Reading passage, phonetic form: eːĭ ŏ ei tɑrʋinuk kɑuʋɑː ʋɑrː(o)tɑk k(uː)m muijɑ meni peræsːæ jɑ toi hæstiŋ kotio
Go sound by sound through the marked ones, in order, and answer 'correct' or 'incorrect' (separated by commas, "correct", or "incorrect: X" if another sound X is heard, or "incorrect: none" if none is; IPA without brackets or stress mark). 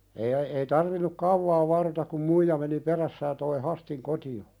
correct, incorrect: u